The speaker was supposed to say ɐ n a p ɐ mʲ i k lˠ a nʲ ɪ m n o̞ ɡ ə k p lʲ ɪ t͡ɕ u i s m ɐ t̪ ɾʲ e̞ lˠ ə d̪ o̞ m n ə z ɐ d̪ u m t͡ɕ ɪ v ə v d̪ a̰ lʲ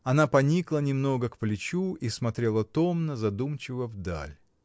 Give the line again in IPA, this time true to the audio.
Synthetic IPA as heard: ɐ n a p ɐ nʲ i k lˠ ə nʲ ɪ m n o̞ ɡ ə k p lʲ ɪ t͡ɕ u i s m ɐ t̪ ɾʲ e̞ lˠ ə t̪ o̞ m n ə z ɐ d̪ u m t͡ɕ ɪ v ə v d̪ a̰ lʲ